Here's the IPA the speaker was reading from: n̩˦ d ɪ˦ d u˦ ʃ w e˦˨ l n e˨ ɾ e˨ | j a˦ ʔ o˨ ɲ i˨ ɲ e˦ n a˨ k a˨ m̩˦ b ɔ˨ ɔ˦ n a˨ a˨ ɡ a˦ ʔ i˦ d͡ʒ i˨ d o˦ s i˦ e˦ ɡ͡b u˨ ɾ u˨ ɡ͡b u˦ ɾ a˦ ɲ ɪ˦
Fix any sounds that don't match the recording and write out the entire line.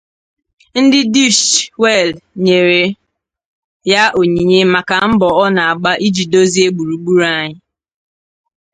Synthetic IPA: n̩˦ d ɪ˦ d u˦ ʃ w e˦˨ l ɲ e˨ ɾ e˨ | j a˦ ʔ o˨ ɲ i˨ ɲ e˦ m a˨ k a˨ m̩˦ b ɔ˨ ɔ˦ n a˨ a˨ ɡ͡b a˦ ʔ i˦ d͡ʒ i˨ d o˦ z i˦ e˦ ɡ͡b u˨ ɾ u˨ ɡ͡b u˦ ɾ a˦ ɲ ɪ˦